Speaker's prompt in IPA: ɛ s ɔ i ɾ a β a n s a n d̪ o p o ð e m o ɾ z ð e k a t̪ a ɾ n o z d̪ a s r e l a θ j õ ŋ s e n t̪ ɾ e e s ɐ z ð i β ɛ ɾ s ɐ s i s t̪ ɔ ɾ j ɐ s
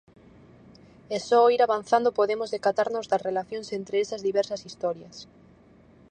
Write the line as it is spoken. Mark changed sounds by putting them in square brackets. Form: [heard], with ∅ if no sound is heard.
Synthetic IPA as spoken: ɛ s ɔ i ɾ a β a n [θ] a n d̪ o p o ð e m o [∅] z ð e k a t̪ a ɾ n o z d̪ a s r e l a θ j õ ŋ s e n t̪ ɾ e e s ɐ z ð i β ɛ ɾ s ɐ s i s t̪ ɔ ɾ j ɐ s